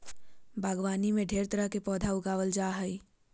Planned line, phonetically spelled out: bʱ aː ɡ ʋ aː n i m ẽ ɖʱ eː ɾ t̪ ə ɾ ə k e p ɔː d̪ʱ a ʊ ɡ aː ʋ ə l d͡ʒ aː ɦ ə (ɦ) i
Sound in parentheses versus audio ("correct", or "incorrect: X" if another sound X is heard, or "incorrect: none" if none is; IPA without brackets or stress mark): incorrect: none